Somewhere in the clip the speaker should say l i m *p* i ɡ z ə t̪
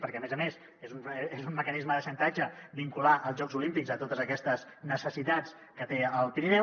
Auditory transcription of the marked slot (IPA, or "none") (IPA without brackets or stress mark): p